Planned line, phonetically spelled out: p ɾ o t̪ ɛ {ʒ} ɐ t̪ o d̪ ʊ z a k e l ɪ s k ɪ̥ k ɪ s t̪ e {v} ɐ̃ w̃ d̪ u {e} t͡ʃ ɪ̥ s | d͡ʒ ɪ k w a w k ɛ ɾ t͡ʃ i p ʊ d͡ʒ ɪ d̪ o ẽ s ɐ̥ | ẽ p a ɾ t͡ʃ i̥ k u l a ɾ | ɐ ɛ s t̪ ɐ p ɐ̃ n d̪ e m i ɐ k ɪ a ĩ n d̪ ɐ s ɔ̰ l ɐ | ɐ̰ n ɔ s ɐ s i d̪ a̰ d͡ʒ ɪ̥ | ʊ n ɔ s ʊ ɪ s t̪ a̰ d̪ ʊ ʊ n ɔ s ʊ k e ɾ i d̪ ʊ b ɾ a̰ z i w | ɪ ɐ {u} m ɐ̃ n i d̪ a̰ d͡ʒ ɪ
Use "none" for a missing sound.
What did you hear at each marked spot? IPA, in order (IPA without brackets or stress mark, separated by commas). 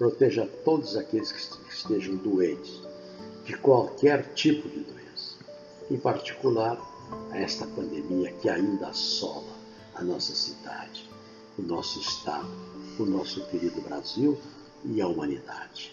ʒ, ʒ, ẽ, u